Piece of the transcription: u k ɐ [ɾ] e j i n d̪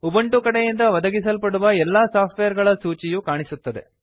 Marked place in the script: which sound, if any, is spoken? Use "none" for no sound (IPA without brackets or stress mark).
ɽ